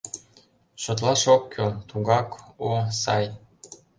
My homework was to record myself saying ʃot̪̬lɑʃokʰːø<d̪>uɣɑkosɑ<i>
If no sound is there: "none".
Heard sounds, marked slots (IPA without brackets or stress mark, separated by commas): t̪, j